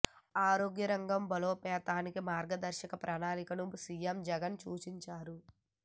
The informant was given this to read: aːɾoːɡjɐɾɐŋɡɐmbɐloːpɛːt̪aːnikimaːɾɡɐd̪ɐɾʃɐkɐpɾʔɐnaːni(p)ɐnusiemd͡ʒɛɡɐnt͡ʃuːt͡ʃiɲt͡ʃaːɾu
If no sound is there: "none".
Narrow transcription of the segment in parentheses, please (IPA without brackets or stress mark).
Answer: k